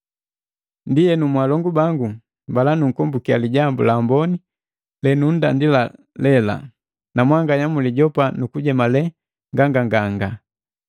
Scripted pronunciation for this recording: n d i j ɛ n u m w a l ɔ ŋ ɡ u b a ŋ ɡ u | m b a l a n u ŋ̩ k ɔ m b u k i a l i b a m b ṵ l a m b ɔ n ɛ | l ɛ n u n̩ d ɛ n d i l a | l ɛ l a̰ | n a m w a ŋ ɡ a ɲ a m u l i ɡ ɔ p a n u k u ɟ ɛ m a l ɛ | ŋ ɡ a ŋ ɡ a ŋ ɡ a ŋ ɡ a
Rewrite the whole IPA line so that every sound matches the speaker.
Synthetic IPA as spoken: n d i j ɛ n u m w a l ɔ ŋ ɡ u b a ŋ ɡ u | m b a l a n u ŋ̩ k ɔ m b u k i a l i ɟ a m b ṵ l a m b ɔ n i | l ɛ n u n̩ d a n d i l a | l ɛ l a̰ | n a m w a ŋ ɡ a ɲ a m u l i ɟ ɔ p a n u k u ɟ ɛ m a l ɛ | ŋ ɡ a ŋ ɡ a ŋ ɡ a ŋ ɡ a

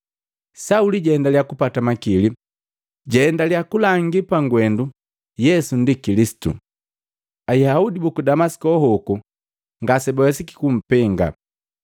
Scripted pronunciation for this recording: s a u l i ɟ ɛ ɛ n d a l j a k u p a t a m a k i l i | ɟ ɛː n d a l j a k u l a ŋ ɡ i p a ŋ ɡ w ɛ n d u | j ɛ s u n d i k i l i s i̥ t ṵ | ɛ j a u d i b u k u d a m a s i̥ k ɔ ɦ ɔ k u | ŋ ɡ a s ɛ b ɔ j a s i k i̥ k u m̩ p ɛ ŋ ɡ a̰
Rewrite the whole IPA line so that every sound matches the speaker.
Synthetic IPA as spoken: s a u l i ɟ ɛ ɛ n d a l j a k u p a t a m a k i l i | ɟ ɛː n d a l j a k u l a ŋ ɡ i p a ŋ ɡ w ɛ n d u | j ɛ s u n d i k i l i s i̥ t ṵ | a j a u d i b u k u d a m a s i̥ k ɔ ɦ ɔ k u | ŋ ɡ a s ɛ b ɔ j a s i k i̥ k u m̩ p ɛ ŋ ɡ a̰

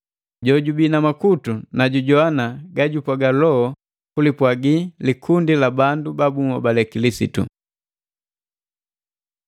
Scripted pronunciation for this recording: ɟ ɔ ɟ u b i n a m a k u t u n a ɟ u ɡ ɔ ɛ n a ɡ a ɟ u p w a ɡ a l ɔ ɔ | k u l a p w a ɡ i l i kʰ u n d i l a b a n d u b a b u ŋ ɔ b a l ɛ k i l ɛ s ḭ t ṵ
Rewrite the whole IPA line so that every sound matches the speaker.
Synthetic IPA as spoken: ɟ ɔ ɟ u b i n a m a k u t u n a ɟ u ɟ ɔ a n a ɡ a ɟ u p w a ɡ a l ɔ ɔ | k u l i p w a ɡ i l i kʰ u n d i l a b a n d u b a b u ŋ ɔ b a l ɛ k i l i s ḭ t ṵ

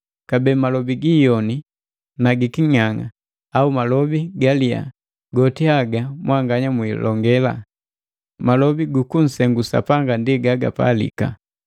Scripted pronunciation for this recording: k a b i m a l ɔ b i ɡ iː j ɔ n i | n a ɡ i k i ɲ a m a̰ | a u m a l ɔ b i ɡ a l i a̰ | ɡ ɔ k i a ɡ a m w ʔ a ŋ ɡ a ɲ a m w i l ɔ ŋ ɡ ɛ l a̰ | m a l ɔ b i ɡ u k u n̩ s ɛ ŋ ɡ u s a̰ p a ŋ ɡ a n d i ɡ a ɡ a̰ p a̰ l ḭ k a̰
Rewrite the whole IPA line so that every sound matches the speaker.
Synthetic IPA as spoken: k a b ɛ m a l ɔ b i ɡ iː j ɔ n i | n a ɡ i k i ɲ a ŋ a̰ | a u m a l ɔ b i ɡ a l i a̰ | ɡ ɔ t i a ɡ a m w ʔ a ŋ ɡ a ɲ a m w i l ɔ ŋ ɡ ɛ l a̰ | m a l ɔ b i ɡ u k u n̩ s ɛ ŋ ɡ u s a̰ p a ŋ ɡ a n d i ɡ a ɡ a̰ p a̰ l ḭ k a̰

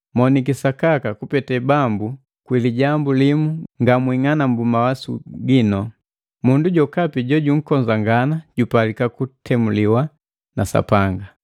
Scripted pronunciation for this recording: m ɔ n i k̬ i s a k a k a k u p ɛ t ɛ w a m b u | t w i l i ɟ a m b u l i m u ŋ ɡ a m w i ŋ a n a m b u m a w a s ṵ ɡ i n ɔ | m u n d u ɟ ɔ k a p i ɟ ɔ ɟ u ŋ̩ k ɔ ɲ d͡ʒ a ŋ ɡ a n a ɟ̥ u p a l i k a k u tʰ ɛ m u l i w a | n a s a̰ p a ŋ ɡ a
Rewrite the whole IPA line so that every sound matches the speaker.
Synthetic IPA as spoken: m ɔ n i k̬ i s a k a k a k u p ɛ t ɛ b a m b u | k w i l i ɟ a m b u l i m u ŋ ɡ a m w i ŋ a n a m b u m a w a s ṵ ɡ i n ɔ | m u n d u ɟ ɔ k a p i ɟ ɔ ɟ u ŋ̩ k ɔ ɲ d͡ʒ a ŋ ɡ a n a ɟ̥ u p a l i k a k u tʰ ɛ m u l i w a | n a s a̰ p a ŋ ɡ a

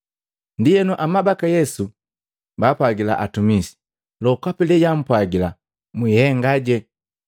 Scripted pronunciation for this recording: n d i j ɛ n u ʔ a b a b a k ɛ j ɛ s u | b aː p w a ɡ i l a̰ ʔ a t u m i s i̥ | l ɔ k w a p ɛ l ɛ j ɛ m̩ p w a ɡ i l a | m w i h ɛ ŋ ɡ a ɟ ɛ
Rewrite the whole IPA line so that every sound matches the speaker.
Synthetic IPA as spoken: n d i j ɛ n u ʔ a m a b a k a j ɛ s u | b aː p w a ɡ i l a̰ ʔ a t u m i s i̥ | l ɔ k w a p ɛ l ɛ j a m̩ p w a ɡ i l a | m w i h ɛ ŋ ɡ a ɟ ɛ

